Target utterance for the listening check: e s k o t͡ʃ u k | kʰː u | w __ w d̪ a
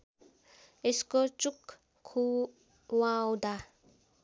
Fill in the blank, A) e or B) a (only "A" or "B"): B